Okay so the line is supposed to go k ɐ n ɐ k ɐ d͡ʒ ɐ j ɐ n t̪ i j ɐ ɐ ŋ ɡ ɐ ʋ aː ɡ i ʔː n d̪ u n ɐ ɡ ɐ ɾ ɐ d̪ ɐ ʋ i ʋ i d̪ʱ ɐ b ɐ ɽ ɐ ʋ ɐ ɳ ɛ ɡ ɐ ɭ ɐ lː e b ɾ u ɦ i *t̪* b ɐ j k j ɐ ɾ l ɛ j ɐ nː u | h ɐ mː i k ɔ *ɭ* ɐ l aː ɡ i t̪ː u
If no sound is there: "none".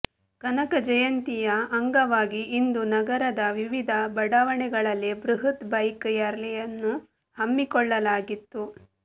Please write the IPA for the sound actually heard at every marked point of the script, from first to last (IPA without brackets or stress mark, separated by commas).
t̪, ɭː